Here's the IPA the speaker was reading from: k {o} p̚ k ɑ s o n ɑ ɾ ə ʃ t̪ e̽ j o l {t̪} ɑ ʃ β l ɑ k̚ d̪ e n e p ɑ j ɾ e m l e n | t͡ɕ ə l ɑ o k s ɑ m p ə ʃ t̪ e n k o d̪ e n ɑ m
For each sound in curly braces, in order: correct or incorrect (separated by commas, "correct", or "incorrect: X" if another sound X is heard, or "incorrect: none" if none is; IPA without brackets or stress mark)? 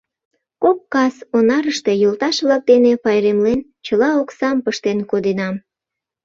correct, correct